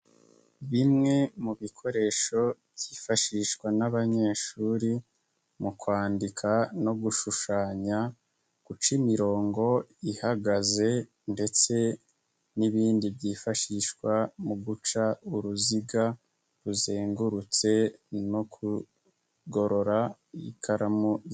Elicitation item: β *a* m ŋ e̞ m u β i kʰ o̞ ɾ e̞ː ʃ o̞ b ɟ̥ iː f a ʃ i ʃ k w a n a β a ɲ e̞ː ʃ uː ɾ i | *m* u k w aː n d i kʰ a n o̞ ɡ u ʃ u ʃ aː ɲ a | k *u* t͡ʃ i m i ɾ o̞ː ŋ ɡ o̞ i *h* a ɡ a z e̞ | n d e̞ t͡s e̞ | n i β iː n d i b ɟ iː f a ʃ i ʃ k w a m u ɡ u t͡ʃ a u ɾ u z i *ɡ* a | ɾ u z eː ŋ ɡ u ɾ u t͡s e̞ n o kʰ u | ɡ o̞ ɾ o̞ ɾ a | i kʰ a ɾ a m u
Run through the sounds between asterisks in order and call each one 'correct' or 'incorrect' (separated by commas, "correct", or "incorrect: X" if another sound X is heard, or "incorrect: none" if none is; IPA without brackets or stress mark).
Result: incorrect: i, correct, correct, correct, correct